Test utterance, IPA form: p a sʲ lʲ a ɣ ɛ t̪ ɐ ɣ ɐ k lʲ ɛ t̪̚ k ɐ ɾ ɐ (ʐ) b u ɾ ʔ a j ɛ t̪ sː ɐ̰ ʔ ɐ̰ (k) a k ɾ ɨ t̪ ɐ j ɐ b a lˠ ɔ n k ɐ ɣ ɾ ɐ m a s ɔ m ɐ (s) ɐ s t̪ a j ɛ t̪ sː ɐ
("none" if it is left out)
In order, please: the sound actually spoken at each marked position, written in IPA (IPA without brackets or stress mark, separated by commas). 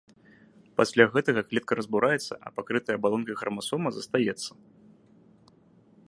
z, p, z